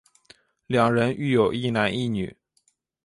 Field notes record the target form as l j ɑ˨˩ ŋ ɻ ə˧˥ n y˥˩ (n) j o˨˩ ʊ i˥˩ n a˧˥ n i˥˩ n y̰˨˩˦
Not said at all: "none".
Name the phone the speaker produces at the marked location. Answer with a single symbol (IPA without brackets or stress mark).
none